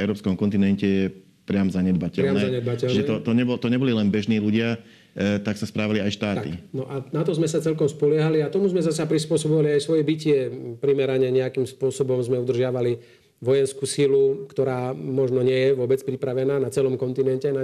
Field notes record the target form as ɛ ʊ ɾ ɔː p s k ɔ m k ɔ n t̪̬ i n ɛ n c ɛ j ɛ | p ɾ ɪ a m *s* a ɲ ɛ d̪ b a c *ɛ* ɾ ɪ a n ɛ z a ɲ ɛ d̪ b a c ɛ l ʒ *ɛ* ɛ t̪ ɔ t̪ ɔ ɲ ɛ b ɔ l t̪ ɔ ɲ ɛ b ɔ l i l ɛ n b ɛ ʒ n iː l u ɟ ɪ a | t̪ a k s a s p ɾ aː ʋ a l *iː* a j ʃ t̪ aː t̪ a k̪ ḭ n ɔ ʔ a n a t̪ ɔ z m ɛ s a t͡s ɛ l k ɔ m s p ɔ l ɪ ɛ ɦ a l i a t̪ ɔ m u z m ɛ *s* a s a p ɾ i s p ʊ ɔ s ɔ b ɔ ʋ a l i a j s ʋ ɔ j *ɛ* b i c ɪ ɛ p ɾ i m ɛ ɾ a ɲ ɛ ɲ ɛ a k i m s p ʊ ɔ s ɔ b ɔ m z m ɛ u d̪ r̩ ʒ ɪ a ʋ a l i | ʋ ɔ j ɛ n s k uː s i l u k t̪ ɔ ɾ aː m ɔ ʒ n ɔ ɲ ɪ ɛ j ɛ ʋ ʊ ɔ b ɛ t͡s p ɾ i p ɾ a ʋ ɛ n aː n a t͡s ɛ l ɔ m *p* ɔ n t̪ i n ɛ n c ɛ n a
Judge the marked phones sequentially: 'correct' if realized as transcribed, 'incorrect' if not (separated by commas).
incorrect, correct, correct, incorrect, incorrect, correct, incorrect